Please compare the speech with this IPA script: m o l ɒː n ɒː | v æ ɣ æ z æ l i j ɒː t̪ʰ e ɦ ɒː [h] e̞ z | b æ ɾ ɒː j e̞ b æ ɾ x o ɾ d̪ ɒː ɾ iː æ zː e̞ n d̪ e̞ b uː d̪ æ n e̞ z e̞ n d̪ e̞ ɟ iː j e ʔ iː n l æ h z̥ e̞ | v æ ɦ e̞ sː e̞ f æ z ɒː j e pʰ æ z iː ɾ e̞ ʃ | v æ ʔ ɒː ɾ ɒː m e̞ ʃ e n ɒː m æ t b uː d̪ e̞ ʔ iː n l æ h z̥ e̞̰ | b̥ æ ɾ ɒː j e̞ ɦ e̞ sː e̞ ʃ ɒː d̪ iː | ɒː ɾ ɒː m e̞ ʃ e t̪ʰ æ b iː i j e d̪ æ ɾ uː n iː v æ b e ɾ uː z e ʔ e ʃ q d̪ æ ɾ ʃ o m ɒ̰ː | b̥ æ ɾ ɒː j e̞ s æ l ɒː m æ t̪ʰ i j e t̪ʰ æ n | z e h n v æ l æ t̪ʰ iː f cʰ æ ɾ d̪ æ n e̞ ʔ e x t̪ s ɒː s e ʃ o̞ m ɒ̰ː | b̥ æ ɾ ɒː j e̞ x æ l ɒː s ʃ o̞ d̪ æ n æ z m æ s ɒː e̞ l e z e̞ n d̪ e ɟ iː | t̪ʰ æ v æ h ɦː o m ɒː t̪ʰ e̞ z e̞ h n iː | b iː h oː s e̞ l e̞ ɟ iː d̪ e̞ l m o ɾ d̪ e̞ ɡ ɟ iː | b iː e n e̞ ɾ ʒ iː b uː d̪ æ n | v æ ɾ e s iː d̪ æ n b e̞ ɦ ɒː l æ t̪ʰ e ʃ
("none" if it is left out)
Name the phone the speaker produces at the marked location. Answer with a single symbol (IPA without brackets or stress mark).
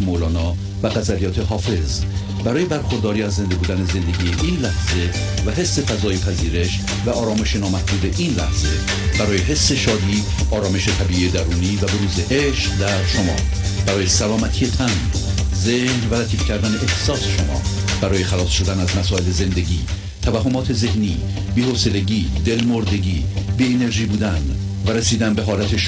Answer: f